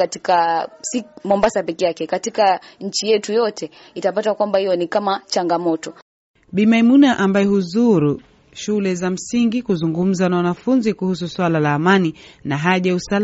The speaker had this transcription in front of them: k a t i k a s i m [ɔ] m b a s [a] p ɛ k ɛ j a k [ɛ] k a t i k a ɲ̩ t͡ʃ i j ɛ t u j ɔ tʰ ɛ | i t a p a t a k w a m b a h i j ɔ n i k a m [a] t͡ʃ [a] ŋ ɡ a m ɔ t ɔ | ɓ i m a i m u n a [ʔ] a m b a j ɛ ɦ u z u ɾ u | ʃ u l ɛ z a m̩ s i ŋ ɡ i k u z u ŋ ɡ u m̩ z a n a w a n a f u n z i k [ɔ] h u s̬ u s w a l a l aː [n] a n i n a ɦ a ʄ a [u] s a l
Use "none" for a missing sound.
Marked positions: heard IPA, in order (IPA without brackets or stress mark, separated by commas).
ɔ, a, ɛ, a, a, ʔ, u, m, u